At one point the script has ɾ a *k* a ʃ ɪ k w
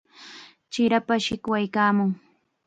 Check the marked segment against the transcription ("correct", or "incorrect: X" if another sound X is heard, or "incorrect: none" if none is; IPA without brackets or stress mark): incorrect: p